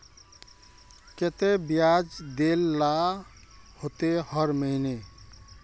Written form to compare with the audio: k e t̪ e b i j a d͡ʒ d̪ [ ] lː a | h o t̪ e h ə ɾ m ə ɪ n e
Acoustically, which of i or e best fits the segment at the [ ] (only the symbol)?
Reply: e